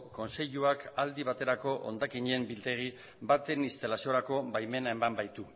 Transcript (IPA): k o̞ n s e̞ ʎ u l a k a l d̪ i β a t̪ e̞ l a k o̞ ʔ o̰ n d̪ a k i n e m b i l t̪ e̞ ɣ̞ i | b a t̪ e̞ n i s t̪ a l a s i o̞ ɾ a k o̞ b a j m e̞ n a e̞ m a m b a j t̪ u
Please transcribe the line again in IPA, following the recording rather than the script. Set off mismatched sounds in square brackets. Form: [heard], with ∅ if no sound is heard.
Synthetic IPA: k o̞ n s e̞ ʎ u [∅] a k a l d̪ i β a t̪ e̞ [ɾ] a k o̞ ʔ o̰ n d̪ a k i [ɲ] e m b i l t̪ e̞ ɣ̞ i | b a t̪ e̞ n i s t̪ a l a s i o̞ ɾ a k o̞ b a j m e̞ n a e̞ m a m b a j t̪ u